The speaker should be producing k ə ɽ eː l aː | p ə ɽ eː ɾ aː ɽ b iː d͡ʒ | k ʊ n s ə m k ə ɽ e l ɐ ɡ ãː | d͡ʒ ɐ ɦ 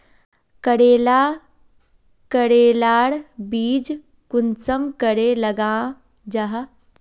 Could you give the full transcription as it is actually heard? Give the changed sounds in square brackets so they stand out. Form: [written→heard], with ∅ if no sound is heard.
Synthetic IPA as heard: k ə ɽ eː l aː | [p→k] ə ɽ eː [ɾ→l] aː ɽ b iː d͡ʒ | k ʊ n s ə m k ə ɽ e l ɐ ɡ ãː | d͡ʒ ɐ ɦ